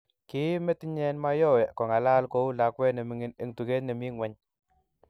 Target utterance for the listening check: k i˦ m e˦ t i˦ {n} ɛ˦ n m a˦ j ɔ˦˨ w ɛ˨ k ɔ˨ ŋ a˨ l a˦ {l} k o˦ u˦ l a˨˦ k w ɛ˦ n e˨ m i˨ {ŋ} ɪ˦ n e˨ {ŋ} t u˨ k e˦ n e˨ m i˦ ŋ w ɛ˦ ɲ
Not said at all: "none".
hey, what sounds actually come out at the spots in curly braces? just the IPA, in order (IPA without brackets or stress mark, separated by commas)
ɲ, l, ŋ, ŋ